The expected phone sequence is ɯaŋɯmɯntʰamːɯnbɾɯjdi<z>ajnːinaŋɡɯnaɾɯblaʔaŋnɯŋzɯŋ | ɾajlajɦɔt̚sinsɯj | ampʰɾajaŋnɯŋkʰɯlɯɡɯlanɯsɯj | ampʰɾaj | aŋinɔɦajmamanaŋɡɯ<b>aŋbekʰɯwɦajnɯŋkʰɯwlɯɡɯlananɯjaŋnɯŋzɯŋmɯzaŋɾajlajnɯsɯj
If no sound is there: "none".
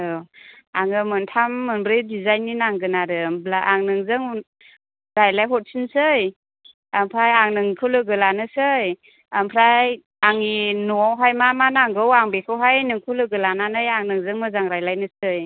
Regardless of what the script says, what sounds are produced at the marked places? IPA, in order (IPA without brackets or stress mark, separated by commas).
z, w